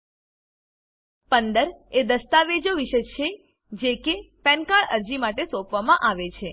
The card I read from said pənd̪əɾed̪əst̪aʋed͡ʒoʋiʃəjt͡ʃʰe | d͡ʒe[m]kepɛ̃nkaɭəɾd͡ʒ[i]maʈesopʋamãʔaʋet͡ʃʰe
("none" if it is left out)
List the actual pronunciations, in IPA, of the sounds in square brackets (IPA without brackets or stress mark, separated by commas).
none, i